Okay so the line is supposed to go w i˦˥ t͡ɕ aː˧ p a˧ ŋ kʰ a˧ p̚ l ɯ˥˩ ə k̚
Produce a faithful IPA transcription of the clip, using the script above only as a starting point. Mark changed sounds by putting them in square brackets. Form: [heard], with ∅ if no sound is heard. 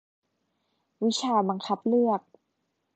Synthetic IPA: w i˦˥ [t͡ɕʰ] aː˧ [b] a˧ ŋ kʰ [a˦˥] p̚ l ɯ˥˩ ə k̚